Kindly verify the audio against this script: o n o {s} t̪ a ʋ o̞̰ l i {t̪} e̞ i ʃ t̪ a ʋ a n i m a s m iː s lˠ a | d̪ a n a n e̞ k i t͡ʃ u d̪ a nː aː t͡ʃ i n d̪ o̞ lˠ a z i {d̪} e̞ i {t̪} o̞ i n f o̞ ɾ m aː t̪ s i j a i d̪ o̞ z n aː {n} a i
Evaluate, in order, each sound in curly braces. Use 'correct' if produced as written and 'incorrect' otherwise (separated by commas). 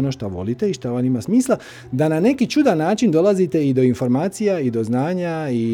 incorrect, correct, incorrect, incorrect, incorrect